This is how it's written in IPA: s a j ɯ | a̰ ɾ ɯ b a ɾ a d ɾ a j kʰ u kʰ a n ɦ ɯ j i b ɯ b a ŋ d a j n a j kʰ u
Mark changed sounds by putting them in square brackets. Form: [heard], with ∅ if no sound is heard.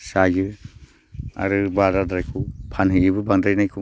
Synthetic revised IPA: s a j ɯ | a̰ ɾ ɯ b a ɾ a d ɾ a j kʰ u [pʰ] a n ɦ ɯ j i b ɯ b a ŋ d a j n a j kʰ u